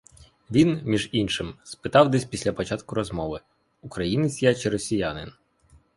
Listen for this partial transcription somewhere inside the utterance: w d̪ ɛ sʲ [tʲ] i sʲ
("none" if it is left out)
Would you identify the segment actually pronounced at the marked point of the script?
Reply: pʲ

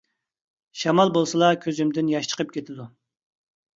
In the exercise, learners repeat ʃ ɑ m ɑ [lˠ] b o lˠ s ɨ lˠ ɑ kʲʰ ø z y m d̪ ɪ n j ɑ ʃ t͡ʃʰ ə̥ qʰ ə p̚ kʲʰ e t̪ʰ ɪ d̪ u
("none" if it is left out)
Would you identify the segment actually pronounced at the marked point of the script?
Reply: lˠ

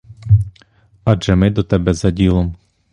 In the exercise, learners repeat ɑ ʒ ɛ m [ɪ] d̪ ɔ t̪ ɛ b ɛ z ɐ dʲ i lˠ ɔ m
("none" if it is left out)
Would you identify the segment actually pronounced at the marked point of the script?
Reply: ɪ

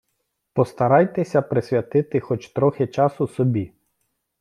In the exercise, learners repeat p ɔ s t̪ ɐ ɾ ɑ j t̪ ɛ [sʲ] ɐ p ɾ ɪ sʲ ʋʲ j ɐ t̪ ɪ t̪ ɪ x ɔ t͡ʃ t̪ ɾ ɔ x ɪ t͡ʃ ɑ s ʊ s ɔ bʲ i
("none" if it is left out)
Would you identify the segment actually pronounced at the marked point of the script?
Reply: sʲ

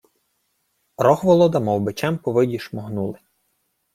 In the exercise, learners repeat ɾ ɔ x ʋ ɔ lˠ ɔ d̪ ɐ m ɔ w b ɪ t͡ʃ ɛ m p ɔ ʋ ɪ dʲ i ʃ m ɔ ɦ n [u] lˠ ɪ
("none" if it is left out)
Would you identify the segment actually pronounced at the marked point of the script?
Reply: u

